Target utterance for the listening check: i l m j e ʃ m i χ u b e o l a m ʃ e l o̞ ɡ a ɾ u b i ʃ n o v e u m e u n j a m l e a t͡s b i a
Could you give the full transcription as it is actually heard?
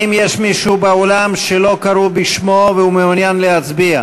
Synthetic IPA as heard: i m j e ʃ m i ʃ u b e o l a m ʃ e l o̞ k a ɾ u b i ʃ m o v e u m e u n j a n l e a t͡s b i a